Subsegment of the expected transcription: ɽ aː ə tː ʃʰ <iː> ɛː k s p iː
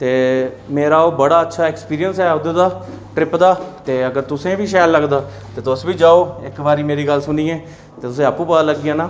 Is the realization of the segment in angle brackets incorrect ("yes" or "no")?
yes